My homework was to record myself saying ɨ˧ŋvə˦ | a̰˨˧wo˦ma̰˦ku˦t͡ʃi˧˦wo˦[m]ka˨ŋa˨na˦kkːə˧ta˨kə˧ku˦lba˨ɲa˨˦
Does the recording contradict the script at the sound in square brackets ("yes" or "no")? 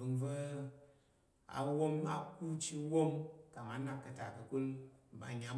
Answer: no